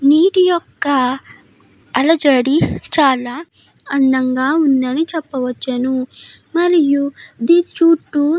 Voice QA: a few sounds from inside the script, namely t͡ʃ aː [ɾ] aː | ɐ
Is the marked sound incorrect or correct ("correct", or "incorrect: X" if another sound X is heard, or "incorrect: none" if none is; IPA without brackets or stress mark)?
incorrect: l